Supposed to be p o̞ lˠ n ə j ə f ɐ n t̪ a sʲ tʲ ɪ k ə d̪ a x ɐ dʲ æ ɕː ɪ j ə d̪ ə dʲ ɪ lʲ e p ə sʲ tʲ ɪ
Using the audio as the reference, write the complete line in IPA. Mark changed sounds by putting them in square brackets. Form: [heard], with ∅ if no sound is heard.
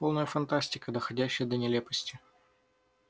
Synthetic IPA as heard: p o̞ lˠ n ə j ə f ɐ n t̪ a sʲ tʲ ɪ k ə d̪ [ə] x ɐ dʲ æ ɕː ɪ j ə d̪ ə [nʲ] ɪ lʲ e p ə sʲ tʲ ɪ

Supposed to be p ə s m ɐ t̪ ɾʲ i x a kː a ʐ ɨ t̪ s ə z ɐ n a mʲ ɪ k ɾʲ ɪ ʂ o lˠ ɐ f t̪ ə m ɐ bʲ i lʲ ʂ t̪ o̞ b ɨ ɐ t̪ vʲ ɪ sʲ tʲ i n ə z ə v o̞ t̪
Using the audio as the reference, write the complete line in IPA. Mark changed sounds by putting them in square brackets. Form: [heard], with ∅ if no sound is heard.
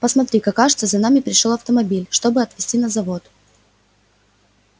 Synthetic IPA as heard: p ə s m ɐ t̪ ɾʲ i [k] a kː a ʐ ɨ t̪ s ə z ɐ n a mʲ ɪ [p] ɾʲ ɪ ʂ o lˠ ɐ f t̪ ə m ɐ bʲ i lʲ ʂ t̪ o̞ b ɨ ɐ t̪ vʲ ɪ sʲ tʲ i n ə z [ɐ] v o̞ t̪

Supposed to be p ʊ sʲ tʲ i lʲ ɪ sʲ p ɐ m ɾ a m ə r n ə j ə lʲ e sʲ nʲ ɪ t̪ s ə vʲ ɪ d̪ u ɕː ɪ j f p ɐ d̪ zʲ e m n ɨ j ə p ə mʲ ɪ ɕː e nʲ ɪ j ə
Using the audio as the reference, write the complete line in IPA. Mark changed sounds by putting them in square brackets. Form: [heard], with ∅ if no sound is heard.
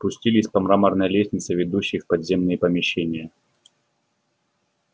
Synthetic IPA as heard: p ʊ sʲ tʲ i lʲ ɪ sʲ p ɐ m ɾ a m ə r n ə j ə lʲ e sʲ nʲ ɪ t̪ s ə vʲ ɪ d̪ u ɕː ɪ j f p ɐ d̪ zʲ e m n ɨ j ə p ə mʲ ɪ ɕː e nʲ ɪ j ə

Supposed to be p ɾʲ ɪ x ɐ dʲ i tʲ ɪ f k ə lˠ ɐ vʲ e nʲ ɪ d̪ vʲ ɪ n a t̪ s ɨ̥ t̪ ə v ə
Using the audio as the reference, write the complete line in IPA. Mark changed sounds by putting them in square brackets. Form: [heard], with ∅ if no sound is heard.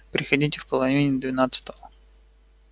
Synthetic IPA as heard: p ɾʲ ɪ x ɐ dʲ i tʲ ɪ f [p] ə lˠ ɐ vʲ [i] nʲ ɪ d̪ vʲ ɪ n a t̪ s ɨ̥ t̪ ə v ə

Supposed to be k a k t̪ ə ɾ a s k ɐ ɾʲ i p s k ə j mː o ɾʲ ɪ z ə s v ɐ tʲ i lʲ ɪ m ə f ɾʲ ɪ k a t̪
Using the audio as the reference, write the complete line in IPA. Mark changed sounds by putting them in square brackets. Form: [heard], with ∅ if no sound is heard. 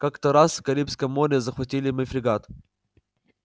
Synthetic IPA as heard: k a k t̪ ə ɾ a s k ɐ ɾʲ i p s k ə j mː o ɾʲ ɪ z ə [x] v ɐ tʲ i lʲ ɪ m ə f ɾʲ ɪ [ɡ] a t̪

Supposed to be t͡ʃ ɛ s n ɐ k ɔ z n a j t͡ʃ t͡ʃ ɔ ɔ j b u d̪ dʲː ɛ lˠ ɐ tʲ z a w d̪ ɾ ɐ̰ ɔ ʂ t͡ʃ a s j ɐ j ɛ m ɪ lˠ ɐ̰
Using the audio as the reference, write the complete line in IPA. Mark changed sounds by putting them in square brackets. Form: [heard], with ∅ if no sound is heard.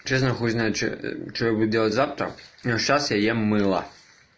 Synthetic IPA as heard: t͡ʃ ɛ s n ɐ [x] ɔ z n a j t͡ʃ t͡ʃ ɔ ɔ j b u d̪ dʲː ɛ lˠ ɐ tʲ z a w [t̪] ɾ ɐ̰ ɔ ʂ t͡ʃ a s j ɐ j ɛ m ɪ lˠ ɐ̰

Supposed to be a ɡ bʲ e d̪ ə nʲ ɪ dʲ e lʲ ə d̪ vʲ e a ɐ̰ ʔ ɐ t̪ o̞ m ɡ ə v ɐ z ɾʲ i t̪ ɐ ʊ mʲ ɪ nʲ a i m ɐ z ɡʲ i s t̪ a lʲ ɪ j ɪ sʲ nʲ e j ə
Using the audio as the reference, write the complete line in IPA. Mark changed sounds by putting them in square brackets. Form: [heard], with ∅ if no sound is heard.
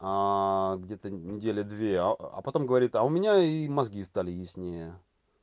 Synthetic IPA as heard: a ɡ [dʲ] e [t̪] ə nʲ ɪ dʲ e lʲ ə d̪ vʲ e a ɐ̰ [p] ɐ t̪ o̞ m ɡ ə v ɐ [∅] ɾʲ i t̪ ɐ ʊ mʲ ɪ nʲ a i m ɐ z ɡʲ i s t̪ a lʲ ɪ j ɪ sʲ nʲ e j ə

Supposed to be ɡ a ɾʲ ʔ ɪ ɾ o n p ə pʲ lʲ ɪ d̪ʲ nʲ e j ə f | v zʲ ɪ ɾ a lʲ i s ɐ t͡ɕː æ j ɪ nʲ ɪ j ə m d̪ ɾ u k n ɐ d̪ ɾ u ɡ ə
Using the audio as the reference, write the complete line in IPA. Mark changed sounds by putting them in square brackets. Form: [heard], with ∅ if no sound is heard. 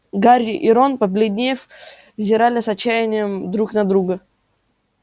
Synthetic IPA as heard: ɡ a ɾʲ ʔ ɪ ɾ o n p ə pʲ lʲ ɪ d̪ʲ nʲ e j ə f | v zʲ ɪ ɾ a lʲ [ɪ] s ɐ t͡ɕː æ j ɪ nʲ ɪ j ə m d̪ ɾ u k n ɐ d̪ ɾ u ɡ ə

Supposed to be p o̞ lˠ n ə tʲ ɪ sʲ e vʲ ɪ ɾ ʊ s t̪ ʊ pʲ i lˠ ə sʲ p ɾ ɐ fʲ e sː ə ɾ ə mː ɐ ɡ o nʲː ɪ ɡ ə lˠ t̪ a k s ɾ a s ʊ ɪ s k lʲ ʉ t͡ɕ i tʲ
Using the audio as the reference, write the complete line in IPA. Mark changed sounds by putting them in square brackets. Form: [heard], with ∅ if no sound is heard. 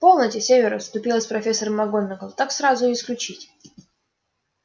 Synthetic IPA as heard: p o̞ lˠ n ə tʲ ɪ sʲ e vʲ ɪ ɾ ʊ s t̪ ʊ pʲ i lˠ ə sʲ p ɾ ɐ fʲ e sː ə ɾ ə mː ɐ ɡ o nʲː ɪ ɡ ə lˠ t̪ a k s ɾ a [z] ʊ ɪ s k lʲ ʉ t͡ɕ i tʲ

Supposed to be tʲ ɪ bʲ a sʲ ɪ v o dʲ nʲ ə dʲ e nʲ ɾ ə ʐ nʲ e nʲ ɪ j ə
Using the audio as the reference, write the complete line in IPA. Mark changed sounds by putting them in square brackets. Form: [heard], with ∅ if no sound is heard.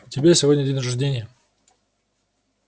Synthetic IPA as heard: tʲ ɪ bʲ [e] sʲ ɪ v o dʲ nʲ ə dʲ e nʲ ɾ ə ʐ [dʲ] e nʲ ɪ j ə

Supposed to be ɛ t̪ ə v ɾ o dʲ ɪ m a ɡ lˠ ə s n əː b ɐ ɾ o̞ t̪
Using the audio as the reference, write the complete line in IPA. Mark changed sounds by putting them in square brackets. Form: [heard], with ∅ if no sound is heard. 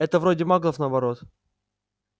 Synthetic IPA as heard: ɛ t̪ ə v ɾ o dʲ ɪ m a ɡ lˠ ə [f] n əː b ɐ ɾ o̞ t̪

